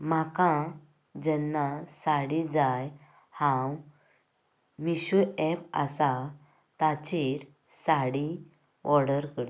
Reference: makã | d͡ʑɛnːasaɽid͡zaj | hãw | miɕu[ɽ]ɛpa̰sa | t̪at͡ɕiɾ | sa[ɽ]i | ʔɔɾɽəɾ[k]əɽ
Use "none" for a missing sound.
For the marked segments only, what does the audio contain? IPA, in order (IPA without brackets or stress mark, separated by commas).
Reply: none, ɽ, k